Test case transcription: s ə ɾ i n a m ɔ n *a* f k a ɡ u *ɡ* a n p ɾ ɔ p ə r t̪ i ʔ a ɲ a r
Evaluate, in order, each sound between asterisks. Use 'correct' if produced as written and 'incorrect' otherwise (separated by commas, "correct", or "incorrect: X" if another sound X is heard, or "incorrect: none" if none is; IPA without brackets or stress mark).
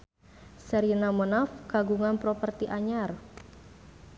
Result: correct, incorrect: ŋ